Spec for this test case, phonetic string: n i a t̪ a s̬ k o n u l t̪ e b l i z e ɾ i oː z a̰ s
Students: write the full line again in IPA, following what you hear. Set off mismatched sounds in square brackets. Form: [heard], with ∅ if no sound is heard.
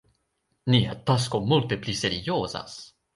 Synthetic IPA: n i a t̪ a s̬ k o [m] u l t̪ e [p] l i [s] e ɾ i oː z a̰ s